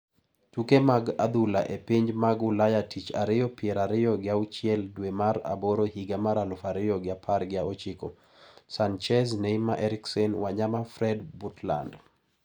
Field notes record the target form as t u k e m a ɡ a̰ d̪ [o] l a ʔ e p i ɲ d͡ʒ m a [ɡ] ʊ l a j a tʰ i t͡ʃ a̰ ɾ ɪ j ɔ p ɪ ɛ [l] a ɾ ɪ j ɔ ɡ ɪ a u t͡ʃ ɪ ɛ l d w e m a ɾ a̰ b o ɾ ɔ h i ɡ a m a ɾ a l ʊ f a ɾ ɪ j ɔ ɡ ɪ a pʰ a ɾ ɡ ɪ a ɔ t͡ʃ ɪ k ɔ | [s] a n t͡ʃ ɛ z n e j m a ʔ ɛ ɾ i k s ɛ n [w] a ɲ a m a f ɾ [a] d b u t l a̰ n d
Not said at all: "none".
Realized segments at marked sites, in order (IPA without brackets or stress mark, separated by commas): u, ɡ, ɾ, s, w, ɛ